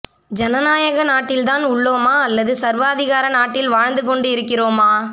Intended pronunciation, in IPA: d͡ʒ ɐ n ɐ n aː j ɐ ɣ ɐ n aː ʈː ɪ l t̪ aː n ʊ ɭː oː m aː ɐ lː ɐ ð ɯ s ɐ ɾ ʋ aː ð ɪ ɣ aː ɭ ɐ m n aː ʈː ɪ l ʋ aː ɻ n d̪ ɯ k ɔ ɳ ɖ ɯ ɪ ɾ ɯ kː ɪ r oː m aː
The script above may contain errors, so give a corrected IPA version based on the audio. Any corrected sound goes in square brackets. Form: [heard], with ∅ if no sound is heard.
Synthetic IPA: d͡ʒ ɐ n ɐ n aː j ɐ ɣ ɐ n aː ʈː ɪ l t̪ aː n ʊ ɭː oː m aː ɐ lː ɐ ð ɯ s ɐ ɾ ʋ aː ð ɪ ɣ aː [ɾ] ɐ [∅] n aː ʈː ɪ l ʋ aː ɻ n d̪ ɯ k ɔ ɳ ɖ ɯ ɪ ɾ ɯ kː ɪ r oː m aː